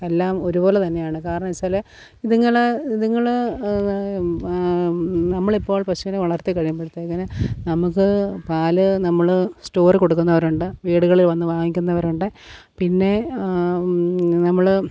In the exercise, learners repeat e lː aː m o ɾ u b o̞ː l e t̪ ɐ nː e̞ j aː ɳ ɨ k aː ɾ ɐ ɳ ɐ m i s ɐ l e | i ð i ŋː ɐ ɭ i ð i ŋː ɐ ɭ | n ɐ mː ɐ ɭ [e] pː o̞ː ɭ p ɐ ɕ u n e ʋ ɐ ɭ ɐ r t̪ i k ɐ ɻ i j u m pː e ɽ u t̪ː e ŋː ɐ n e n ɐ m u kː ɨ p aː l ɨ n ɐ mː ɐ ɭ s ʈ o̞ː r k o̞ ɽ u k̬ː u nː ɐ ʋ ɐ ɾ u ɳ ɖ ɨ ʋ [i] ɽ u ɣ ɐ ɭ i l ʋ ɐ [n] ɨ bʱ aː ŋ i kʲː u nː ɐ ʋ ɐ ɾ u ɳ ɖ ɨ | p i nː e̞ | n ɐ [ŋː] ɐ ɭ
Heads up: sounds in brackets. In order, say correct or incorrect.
incorrect: i, incorrect: iː, incorrect: nː, incorrect: mː

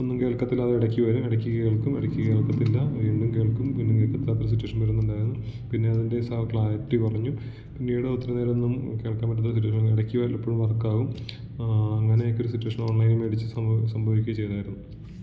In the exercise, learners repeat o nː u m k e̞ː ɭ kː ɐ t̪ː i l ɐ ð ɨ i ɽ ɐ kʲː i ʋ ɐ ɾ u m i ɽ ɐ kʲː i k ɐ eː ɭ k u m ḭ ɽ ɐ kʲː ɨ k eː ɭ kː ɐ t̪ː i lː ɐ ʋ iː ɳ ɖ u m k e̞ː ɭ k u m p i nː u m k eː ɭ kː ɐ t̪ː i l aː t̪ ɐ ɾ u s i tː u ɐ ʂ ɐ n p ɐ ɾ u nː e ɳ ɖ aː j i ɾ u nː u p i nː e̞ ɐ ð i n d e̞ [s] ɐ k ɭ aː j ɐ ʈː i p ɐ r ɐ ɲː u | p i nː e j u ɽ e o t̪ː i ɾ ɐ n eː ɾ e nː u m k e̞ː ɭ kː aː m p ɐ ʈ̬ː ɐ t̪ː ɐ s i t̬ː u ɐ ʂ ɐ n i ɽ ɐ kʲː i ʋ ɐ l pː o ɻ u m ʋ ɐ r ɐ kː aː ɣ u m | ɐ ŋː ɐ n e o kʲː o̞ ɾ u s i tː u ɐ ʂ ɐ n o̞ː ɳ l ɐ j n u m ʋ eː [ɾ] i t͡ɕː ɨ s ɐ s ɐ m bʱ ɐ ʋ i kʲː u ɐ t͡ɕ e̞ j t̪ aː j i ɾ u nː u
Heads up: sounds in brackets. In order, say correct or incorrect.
correct, incorrect: ɽ

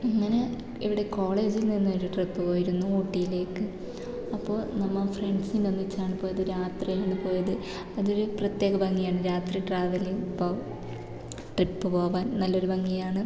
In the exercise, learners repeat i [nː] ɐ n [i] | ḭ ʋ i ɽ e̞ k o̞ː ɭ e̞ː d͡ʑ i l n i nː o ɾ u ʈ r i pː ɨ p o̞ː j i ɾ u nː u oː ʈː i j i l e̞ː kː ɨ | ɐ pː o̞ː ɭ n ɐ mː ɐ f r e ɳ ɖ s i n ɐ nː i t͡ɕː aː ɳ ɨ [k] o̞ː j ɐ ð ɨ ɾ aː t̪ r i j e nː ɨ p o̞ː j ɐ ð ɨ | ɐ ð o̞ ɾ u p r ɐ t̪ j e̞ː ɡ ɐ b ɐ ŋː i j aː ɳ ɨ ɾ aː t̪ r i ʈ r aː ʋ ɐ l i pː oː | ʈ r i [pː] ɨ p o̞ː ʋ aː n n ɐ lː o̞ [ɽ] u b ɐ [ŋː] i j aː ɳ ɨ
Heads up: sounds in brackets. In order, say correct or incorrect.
incorrect: ŋː, incorrect: e, incorrect: p, correct, incorrect: ɾ, correct

